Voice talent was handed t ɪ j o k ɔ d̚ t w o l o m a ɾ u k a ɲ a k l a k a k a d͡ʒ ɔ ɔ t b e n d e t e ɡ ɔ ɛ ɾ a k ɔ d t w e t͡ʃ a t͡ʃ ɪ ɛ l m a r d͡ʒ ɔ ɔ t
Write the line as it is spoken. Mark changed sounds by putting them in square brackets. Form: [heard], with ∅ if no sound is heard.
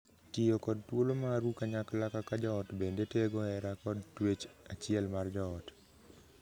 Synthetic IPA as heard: t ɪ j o k ɔ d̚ t w o l o m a ɾ u k a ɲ a k l a k a k a d͡ʒ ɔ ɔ t b e n d e t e ɡ ɔ ɛ ɾ a k ɔ d t w e t͡ʃ a t͡ʃ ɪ ɛ l m a r d͡ʒ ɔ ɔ t